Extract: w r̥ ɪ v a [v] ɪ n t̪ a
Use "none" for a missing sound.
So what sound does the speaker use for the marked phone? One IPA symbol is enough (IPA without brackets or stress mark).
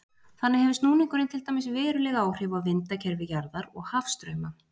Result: v